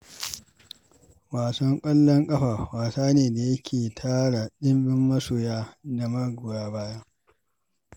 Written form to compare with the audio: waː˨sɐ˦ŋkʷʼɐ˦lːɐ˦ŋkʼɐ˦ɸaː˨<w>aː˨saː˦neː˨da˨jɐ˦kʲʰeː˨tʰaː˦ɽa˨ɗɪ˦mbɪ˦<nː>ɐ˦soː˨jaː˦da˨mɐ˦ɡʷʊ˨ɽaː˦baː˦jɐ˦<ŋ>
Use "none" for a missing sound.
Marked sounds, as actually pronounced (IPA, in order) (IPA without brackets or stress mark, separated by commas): w, mː, ŋ